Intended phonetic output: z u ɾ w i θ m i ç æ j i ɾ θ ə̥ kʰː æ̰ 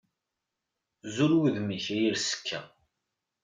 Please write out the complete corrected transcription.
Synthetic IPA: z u ɾ w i ð m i ç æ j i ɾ s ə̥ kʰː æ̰